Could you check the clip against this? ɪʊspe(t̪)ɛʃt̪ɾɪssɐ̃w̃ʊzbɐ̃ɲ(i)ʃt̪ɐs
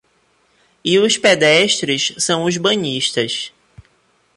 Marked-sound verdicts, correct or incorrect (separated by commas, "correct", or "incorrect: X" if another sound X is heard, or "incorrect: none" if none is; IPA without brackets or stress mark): incorrect: d̪, correct